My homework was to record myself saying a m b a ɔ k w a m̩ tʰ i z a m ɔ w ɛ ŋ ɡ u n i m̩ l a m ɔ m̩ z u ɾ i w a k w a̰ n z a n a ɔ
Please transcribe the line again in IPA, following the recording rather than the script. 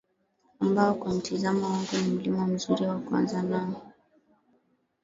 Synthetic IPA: a m b a ɔ k w a m̩ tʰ i z a m ɔ w a ŋ ɡ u n i m̩ l i m ɔ m̩ z u ɾ i w a k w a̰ n z a n a ɔ